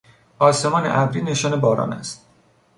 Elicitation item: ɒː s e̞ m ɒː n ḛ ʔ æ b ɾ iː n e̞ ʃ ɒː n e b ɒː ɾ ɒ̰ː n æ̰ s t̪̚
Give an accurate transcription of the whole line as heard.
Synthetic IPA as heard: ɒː s e̞ m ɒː n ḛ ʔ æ b ɾ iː n e̞ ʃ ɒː n e b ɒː ɾ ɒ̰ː n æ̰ s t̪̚